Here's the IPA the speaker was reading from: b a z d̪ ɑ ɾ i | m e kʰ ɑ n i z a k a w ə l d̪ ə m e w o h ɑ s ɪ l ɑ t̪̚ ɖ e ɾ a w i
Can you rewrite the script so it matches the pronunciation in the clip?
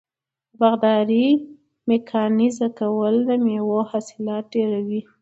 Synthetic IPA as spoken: b a ɣ d̪ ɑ ɾ i | m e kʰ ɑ n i z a k a w ə l d̪ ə m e w o h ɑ s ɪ l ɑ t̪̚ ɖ e ɾ a w i